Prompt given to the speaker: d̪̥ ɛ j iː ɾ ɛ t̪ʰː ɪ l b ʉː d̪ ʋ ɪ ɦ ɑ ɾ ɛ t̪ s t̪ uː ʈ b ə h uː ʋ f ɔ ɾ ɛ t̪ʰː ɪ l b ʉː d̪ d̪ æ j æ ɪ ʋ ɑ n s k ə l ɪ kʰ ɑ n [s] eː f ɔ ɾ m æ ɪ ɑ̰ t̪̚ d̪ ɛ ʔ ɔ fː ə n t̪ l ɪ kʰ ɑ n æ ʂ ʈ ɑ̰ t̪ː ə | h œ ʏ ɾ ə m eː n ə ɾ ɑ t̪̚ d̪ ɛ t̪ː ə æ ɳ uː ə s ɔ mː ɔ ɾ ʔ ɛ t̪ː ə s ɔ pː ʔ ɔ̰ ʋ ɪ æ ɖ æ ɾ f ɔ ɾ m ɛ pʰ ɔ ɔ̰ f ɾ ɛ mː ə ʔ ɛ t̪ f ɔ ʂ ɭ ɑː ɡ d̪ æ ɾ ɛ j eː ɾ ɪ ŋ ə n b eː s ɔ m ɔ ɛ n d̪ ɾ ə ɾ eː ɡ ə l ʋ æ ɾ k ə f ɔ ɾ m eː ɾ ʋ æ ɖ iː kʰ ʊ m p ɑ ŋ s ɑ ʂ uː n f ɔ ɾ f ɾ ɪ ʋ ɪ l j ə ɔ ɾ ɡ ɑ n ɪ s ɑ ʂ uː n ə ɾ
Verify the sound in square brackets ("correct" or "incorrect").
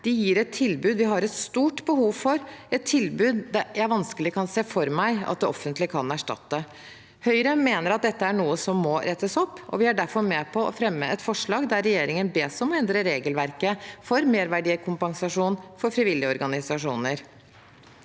correct